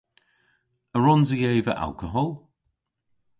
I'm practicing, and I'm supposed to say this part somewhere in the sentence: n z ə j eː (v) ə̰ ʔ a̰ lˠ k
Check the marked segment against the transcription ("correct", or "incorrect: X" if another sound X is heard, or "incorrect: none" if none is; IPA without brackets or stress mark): correct